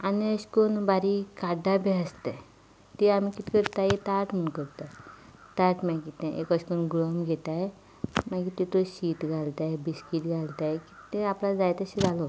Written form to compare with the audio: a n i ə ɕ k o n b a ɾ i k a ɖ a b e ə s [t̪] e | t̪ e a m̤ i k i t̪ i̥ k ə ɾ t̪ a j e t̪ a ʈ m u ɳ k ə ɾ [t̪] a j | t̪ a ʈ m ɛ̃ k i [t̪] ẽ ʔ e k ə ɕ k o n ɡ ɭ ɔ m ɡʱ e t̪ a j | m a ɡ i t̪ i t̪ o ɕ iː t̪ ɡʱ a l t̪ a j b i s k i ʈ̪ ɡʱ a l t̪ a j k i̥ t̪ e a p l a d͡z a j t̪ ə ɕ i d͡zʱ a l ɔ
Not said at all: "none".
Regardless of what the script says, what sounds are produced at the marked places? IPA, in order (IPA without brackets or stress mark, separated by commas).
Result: t̪, t̪, t̪